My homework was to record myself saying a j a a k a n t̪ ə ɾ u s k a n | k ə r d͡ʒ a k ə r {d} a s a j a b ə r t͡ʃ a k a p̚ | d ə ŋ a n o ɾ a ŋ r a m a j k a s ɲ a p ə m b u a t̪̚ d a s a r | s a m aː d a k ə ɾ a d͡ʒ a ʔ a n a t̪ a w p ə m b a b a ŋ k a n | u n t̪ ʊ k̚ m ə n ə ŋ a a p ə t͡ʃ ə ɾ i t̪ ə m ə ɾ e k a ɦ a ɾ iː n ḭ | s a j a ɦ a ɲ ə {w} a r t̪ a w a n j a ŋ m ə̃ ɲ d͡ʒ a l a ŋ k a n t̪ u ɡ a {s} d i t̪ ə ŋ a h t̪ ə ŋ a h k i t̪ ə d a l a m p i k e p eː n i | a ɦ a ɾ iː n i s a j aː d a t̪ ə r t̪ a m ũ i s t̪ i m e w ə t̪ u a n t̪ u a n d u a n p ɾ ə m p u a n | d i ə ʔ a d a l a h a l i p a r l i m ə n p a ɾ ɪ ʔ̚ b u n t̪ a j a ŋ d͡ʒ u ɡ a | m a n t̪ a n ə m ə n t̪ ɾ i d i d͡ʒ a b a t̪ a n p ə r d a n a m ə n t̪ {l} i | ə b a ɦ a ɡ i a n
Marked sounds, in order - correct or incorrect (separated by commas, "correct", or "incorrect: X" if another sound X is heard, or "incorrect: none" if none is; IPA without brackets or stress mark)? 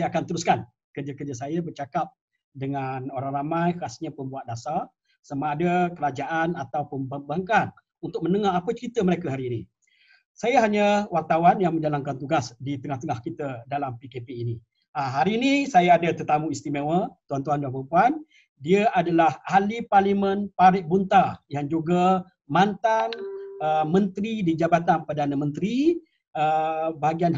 incorrect: d͡ʒ, correct, correct, incorrect: ɾ